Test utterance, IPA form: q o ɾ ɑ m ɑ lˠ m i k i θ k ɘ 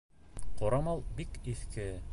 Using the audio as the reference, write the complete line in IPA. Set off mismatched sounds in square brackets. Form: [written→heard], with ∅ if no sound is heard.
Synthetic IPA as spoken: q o ɾ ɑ m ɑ lˠ [m→b] i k i θ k ɘ